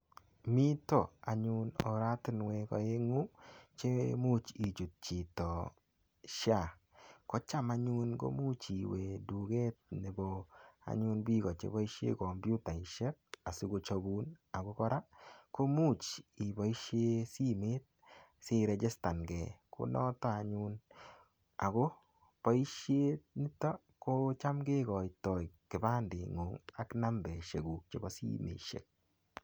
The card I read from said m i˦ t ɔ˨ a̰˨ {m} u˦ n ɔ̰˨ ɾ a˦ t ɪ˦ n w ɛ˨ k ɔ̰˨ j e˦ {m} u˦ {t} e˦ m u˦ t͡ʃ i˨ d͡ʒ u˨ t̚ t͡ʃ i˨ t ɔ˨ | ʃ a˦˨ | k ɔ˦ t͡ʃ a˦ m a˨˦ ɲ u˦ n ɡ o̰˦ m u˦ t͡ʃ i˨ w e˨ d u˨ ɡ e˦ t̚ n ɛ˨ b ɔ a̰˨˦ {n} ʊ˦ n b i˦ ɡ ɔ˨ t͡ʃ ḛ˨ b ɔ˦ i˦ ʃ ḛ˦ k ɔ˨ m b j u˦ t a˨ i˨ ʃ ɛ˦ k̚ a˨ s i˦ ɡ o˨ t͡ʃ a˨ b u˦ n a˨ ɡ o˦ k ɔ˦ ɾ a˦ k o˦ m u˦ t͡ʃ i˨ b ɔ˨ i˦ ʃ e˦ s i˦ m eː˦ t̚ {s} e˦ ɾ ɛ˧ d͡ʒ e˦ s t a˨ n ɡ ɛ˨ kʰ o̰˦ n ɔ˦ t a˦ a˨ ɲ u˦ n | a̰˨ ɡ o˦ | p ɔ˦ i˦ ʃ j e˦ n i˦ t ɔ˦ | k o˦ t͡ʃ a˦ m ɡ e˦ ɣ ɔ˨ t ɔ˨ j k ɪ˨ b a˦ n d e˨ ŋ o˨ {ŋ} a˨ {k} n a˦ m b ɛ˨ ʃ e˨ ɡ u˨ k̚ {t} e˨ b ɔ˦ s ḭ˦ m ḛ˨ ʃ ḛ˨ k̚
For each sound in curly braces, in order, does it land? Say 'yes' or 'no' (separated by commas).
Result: no, no, no, no, yes, yes, yes, no